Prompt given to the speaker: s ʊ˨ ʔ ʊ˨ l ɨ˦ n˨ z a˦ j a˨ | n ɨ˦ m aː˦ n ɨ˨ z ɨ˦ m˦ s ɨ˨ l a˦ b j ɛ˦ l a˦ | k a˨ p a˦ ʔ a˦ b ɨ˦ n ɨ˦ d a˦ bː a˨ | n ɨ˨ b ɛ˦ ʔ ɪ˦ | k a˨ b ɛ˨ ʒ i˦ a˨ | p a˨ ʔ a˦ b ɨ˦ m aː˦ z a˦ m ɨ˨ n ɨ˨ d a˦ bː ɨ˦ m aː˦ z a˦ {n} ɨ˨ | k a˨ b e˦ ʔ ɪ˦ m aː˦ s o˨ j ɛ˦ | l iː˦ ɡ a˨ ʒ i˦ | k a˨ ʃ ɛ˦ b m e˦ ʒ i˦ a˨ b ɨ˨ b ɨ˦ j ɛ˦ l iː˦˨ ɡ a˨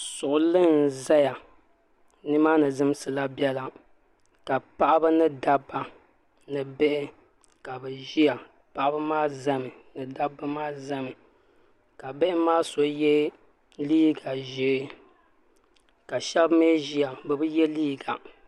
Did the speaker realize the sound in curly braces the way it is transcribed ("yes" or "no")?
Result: no